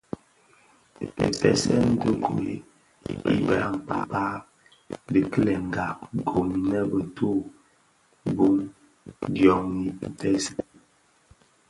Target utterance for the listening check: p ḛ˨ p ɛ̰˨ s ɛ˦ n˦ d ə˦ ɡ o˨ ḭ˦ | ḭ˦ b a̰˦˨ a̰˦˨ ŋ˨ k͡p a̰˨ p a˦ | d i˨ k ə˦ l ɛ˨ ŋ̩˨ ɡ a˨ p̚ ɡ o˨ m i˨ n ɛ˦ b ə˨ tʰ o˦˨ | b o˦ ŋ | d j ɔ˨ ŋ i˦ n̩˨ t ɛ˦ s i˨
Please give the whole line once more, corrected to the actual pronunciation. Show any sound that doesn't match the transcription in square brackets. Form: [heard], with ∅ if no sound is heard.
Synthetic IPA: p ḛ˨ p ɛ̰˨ s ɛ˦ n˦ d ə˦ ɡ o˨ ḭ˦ | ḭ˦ b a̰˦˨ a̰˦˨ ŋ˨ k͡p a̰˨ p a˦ | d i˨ k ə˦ l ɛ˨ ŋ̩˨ ɡ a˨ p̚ ɡ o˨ m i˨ n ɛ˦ b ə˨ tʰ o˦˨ | b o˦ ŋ | d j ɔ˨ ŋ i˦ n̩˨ t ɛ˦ s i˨